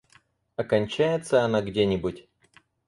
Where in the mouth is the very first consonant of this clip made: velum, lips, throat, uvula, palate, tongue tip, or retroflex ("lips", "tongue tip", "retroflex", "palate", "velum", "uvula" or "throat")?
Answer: velum